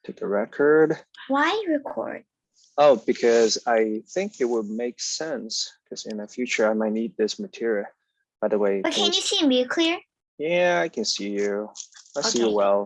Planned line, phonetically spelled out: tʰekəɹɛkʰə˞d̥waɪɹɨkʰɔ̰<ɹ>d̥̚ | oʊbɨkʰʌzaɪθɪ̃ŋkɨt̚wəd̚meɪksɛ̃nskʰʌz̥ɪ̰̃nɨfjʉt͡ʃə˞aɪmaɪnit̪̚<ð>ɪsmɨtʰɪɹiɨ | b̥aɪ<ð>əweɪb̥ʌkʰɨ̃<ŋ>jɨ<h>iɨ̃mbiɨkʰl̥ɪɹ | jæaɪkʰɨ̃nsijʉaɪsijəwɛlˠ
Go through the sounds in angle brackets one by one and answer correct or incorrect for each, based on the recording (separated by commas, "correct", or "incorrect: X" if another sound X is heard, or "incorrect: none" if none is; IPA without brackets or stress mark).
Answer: correct, correct, correct, incorrect: n, incorrect: s